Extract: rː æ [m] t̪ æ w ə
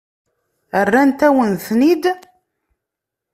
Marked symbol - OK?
no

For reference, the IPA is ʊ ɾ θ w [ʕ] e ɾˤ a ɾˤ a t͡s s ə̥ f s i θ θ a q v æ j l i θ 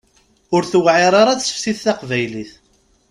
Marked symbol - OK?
yes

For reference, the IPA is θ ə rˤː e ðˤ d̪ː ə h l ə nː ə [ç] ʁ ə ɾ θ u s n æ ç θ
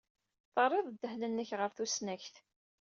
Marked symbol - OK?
yes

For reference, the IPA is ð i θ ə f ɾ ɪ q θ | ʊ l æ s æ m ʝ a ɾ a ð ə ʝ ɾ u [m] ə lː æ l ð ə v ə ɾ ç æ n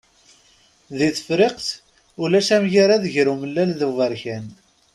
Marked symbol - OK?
yes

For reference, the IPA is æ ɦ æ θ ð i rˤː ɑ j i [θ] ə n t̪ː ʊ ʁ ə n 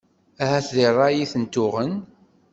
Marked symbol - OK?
yes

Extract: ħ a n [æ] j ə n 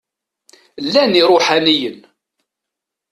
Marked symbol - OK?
no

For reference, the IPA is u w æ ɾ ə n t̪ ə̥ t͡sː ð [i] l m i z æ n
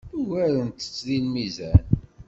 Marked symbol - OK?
yes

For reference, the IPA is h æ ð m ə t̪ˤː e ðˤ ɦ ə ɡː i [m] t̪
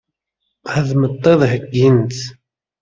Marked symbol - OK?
no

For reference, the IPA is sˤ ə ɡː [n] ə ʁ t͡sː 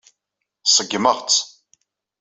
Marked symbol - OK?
no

